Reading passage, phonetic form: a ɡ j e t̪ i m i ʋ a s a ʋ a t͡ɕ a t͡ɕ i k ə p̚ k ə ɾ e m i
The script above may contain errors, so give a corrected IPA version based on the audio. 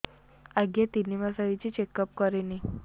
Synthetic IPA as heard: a ɡ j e t̪ i n i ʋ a s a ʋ i t͡ɕ i t͡ɕ e k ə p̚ k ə ɾ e n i